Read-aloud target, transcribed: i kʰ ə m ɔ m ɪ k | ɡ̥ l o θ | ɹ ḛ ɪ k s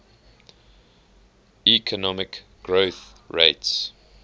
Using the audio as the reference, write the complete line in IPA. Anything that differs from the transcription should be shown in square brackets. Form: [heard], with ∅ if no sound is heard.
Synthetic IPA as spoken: i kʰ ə [n] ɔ m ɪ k | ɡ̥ [ɹ] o θ | ɹ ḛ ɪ [t] s